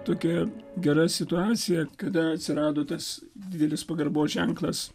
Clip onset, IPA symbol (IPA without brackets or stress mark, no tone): t̪